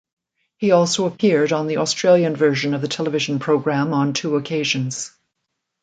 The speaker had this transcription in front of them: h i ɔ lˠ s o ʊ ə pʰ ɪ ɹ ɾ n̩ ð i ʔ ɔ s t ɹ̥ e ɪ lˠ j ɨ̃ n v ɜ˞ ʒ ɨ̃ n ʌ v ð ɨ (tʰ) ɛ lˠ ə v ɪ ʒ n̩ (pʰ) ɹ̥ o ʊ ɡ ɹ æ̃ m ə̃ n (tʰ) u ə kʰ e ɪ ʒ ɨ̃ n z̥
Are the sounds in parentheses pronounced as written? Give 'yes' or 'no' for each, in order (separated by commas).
yes, yes, yes